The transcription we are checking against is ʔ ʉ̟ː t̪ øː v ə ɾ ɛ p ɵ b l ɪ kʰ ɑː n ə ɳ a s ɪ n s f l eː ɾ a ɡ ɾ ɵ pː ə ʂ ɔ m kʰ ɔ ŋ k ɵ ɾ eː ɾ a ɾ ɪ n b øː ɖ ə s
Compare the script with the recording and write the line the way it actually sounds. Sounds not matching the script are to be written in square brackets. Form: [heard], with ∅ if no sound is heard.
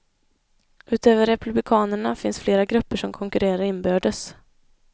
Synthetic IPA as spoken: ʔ ʉ̟ː t̪ øː v ə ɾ ɛ p ɵ b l ɪ kʰ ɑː n ə ɳ a [f] ɪ n s f l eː ɾ a ɡ ɾ ɵ pː ə ʂ ɔ m kʰ ɔ ŋ k ɵ ɾ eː ɾ a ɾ ɪ n b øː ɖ ə s